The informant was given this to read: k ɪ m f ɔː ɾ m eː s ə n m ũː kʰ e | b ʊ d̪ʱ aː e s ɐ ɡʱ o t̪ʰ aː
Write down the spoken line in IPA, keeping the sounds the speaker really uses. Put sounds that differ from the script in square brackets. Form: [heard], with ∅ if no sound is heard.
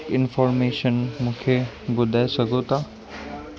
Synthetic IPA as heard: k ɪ [n] f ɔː ɾ m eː [ʃ] ə n m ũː kʰ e | b ʊ d̪ʱ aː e s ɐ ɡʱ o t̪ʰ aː